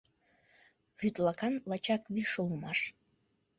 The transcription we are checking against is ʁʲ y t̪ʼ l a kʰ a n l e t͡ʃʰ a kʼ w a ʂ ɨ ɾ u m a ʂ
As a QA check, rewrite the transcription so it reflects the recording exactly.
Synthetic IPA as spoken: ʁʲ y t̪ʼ l a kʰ a n l a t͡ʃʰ a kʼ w i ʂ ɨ l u m a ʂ